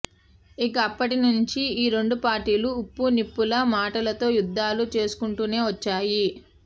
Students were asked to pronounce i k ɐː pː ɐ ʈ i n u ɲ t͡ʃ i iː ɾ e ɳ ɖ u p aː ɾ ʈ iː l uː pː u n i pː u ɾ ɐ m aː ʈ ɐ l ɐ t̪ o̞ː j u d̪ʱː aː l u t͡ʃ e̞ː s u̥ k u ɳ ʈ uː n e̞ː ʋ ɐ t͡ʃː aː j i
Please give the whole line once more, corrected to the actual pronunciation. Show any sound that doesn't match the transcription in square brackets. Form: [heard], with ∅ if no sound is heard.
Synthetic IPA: i k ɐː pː ɐ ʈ i n u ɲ t͡ʃ i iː ɾ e ɳ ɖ u p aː ɾ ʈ iː l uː pː u n i pː u [l] ɐ m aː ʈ ɐ l ɐ t̪ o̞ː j u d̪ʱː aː l u t͡ʃ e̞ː s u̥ k u ɳ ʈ uː n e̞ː ʋ ɐ t͡ʃː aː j i